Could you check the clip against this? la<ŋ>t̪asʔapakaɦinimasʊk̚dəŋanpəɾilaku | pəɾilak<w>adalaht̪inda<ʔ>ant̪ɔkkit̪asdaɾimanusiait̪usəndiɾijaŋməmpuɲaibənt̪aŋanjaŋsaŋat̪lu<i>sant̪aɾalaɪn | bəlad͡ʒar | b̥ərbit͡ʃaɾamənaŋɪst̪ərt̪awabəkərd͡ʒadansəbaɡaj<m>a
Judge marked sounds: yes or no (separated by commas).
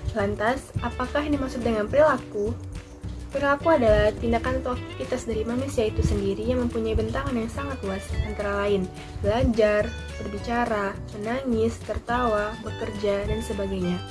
no, no, no, no, no